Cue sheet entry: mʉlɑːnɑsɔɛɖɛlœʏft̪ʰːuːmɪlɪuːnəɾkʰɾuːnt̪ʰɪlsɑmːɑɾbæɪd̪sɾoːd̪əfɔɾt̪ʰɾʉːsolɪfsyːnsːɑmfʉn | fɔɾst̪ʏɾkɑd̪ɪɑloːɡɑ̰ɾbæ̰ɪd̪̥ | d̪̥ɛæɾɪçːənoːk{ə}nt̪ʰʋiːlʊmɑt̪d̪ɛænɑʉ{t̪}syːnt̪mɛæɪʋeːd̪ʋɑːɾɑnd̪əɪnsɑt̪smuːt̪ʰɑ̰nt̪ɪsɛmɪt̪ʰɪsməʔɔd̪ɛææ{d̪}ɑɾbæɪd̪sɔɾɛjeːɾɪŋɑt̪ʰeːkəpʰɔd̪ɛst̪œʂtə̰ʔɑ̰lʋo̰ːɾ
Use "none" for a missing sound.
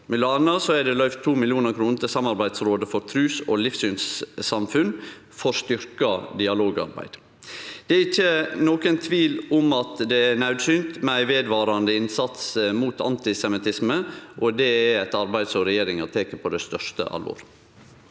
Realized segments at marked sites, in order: ə, d̪, t̪

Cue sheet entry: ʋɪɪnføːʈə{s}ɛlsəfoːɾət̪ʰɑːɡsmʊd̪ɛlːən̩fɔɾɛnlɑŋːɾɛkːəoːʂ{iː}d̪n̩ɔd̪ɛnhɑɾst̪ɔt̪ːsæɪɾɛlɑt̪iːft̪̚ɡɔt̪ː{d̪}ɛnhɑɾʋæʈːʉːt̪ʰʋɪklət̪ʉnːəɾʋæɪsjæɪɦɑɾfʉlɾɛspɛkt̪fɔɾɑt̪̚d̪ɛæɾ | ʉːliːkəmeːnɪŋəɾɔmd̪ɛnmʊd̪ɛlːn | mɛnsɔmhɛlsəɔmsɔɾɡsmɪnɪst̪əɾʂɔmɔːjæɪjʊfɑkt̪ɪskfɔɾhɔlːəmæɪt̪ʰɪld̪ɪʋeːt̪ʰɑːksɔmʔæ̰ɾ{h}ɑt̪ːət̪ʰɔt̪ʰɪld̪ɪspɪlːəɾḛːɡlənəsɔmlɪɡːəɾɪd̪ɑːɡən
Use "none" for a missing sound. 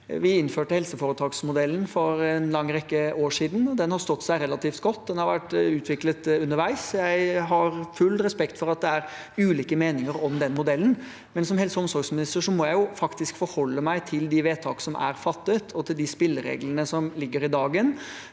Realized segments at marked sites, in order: h, iː, d̪, f

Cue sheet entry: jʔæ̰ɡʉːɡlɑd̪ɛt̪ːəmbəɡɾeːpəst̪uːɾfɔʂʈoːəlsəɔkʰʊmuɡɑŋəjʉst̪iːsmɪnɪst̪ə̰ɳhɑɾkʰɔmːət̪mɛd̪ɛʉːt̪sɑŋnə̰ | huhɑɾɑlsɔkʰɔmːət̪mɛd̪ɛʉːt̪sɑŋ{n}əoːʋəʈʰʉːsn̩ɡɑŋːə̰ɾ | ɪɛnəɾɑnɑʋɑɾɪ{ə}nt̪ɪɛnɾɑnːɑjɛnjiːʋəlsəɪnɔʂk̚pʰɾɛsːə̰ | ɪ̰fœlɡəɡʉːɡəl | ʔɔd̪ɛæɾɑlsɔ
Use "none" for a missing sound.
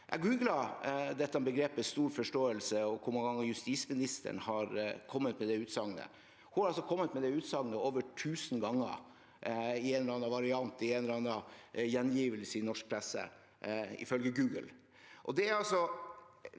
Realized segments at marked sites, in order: n, ɑ

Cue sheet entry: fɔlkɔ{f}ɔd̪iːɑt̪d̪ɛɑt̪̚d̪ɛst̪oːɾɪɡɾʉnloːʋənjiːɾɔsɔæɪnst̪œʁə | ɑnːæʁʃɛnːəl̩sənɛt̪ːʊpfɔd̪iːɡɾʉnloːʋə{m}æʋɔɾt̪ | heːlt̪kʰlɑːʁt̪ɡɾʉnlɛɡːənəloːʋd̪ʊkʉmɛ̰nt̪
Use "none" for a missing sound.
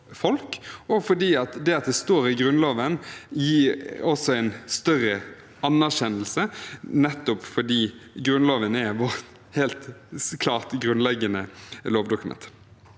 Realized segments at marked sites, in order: f, n

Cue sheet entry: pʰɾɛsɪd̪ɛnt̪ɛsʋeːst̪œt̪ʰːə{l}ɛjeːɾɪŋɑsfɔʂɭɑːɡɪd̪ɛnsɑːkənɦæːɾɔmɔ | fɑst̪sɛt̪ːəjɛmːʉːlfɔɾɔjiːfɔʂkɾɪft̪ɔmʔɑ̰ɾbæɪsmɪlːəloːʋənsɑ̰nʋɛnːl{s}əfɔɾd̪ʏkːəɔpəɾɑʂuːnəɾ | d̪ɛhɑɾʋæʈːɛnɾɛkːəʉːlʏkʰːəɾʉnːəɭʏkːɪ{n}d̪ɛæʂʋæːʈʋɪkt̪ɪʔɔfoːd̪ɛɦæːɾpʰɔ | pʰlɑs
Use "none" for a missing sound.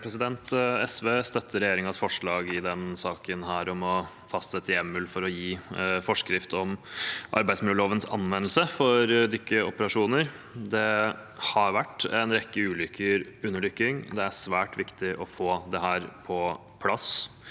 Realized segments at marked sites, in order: ɾ, s, ŋ

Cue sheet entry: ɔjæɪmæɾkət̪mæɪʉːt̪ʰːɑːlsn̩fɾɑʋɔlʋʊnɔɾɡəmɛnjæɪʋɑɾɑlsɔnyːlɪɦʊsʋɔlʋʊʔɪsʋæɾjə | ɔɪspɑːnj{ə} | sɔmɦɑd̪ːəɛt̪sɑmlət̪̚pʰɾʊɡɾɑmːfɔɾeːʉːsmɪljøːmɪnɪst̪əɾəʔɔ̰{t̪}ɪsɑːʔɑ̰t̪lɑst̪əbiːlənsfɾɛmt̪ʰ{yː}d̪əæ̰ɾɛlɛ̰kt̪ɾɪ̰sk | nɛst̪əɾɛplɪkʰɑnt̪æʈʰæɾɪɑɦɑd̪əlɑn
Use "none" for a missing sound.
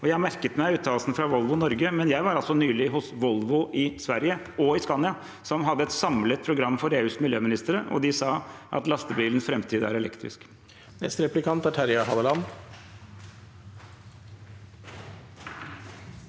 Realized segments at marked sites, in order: ɑ, d̪, iː

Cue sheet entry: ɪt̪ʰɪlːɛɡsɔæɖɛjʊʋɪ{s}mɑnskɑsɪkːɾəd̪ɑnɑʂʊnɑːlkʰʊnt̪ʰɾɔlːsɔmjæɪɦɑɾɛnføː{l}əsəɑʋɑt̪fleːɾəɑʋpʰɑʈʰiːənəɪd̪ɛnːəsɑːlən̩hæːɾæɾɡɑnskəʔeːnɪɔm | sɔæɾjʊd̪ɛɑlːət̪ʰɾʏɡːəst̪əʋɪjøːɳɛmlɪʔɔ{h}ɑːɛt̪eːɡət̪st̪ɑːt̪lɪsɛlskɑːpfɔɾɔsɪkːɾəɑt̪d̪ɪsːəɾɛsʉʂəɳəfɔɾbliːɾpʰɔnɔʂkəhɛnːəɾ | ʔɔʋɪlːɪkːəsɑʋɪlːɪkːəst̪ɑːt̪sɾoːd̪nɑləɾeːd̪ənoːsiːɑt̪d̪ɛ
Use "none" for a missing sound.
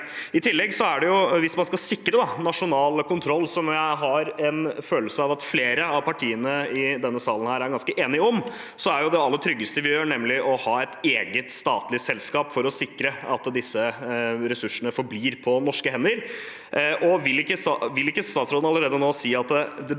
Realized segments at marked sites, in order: s, l, h

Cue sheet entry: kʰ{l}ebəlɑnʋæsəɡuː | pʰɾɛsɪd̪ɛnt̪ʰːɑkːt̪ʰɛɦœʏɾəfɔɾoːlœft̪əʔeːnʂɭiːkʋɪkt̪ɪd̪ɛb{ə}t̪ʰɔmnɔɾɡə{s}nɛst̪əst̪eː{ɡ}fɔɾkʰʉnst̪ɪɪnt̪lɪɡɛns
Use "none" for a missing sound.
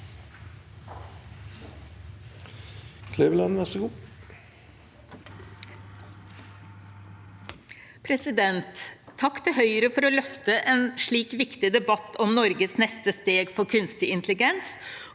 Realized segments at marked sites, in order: l, ɑ, s, ɡ

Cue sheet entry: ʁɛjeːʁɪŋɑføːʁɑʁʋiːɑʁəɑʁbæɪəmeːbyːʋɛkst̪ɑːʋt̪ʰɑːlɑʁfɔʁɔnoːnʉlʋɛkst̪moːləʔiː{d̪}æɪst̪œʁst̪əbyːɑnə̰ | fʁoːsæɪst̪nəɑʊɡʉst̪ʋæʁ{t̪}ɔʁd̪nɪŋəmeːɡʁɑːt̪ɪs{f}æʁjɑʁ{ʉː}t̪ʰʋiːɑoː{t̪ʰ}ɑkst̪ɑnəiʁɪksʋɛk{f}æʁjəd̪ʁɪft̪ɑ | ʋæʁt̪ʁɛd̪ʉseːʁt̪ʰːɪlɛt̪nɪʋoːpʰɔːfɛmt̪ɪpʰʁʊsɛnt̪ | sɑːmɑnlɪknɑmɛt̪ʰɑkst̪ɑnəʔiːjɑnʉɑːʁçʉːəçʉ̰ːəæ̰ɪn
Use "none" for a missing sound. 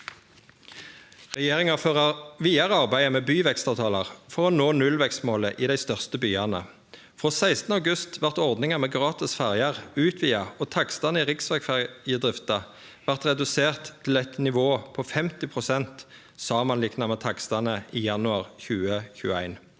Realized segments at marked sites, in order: d̪, t̪, f, ʉː, t̪ʰ, f

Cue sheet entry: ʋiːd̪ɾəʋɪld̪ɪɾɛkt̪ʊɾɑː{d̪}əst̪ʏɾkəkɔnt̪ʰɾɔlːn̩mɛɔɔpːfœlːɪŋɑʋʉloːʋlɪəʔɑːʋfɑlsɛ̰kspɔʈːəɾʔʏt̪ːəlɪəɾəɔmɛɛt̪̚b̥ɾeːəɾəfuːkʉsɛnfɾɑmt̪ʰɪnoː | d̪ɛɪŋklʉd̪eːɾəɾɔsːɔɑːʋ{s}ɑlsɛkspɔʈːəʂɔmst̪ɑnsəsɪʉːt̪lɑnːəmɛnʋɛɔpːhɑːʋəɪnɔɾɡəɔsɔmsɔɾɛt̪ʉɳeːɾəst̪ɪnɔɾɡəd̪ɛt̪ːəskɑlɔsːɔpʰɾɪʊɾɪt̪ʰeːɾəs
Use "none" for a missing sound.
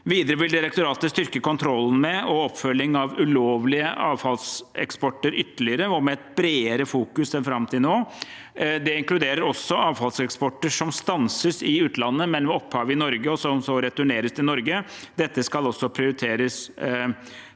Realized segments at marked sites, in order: t̪, f

